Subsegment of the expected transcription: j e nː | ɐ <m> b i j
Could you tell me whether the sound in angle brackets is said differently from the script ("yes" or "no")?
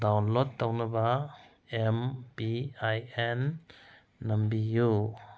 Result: no